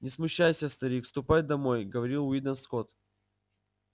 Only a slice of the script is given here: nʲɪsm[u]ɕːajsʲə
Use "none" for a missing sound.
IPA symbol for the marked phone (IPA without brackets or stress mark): ʊ